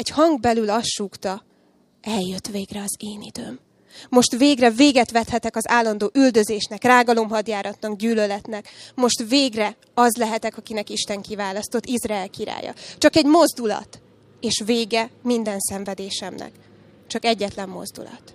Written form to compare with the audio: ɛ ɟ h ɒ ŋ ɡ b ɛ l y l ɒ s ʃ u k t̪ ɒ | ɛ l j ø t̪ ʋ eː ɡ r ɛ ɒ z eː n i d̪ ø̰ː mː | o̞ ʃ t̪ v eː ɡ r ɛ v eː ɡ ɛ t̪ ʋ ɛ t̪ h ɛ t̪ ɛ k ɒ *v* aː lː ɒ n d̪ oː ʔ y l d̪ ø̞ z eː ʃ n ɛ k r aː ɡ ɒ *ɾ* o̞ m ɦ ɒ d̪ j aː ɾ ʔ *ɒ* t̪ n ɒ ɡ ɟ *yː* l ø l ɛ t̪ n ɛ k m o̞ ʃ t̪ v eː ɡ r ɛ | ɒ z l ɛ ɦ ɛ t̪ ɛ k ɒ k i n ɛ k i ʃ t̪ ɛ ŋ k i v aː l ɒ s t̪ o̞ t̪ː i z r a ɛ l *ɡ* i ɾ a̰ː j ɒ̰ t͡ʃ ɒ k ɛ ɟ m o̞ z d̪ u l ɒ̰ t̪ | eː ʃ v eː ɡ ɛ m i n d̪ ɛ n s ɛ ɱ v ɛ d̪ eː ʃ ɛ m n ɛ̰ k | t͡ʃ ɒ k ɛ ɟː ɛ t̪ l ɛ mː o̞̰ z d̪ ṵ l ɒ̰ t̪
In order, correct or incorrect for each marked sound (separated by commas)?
incorrect, incorrect, correct, correct, incorrect